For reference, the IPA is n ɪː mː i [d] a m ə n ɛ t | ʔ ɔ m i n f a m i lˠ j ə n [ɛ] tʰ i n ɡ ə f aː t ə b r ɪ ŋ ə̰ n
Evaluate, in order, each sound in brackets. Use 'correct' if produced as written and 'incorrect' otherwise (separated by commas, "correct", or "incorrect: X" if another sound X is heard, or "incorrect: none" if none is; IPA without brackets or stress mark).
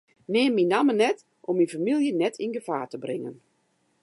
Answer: incorrect: n, correct